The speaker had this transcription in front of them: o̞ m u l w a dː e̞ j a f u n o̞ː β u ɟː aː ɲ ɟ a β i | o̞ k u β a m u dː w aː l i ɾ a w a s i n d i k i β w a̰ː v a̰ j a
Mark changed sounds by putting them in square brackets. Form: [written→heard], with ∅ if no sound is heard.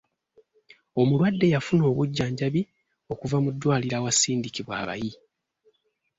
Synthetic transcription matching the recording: o̞ m u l w a dː e̞ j a f u n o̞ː β u ɟː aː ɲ ɟ a β i | o̞ k u [β→v] a m u dː w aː l i ɾ a w a s [i→iː] n d i k i β w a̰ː [v→β] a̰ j [a→i]